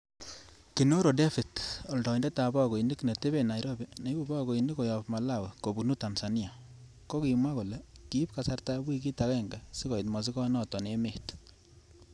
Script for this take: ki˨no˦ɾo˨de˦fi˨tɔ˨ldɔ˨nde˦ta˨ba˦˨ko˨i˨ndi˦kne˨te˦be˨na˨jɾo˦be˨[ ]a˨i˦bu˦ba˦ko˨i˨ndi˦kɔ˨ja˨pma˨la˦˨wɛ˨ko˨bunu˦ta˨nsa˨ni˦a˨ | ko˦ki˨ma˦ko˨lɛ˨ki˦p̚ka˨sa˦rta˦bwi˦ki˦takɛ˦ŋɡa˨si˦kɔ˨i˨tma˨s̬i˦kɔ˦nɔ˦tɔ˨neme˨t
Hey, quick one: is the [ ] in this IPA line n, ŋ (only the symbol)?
n